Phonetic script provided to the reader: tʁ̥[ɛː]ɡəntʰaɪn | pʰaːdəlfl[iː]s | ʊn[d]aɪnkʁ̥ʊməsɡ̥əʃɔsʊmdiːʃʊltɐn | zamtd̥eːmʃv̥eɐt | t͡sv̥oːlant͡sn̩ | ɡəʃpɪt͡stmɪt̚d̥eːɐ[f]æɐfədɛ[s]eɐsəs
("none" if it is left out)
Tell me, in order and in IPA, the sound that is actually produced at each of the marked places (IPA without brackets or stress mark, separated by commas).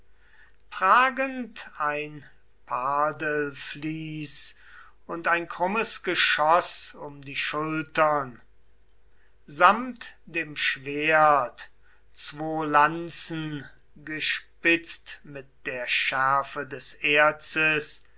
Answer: aː, iː, t, ʃ, s